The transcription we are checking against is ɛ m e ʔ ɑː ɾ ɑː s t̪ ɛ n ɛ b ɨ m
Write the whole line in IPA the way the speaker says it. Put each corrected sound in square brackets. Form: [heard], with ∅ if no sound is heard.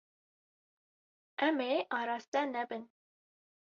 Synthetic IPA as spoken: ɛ m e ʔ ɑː ɾ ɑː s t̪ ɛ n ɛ b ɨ [n]